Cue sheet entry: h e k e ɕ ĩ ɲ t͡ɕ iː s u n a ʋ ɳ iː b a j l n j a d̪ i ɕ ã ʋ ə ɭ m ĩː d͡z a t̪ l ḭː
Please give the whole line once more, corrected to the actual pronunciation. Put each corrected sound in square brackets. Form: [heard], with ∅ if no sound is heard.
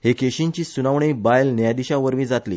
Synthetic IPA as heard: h e k e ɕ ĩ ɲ t͡ɕ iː s u n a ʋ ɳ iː b a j l n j a d̪ i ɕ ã ʋ ə [ɾ] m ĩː d͡z a t̪ l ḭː